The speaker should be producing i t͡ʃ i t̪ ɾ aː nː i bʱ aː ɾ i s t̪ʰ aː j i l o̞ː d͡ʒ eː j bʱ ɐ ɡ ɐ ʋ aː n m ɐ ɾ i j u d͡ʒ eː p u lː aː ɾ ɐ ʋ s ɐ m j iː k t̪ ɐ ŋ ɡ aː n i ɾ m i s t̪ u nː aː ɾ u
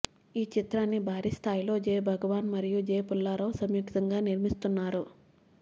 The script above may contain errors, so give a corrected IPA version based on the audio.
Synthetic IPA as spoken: iː t͡ʃ i t̪ ɾ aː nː i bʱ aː ɾ i s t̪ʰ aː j i l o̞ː d͡ʒ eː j bʱ ɐ ɡ ɐ ʋ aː n m ɐ ɾ i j u d͡ʒ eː p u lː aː ɾ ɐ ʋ s ɐ m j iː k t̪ ɐ ŋ ɡ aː n i ɾ m i s t̪ u nː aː ɾ u

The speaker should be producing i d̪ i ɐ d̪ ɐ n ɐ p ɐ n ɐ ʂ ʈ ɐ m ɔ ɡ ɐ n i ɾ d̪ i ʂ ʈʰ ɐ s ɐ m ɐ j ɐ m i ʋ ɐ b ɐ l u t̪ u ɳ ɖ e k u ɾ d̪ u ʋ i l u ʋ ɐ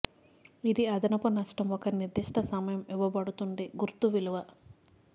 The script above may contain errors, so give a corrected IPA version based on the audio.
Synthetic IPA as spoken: i d̪ i ɐ d̪ ɐ n ɐ p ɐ n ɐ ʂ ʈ ɐ m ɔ k ɐ n i ɾ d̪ i ʂ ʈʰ ɐ s ɐ m ɐ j ɐ m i ʋ ɐ b ɐ ɽ u t̪ u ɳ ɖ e ɡ u ɾ t̪ u ʋ i l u ʋ ɐ

